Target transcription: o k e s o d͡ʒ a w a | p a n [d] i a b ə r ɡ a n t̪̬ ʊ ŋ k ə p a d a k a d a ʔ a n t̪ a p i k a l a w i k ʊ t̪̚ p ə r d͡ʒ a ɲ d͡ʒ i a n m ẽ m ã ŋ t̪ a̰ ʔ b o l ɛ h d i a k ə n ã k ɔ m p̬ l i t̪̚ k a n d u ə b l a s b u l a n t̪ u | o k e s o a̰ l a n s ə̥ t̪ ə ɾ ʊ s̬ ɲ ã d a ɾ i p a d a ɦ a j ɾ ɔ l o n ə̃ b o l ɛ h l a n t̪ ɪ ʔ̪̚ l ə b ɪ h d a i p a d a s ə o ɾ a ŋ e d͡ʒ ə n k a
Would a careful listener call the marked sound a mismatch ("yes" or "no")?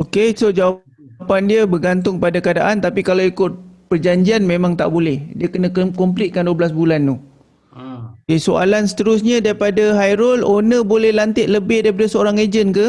no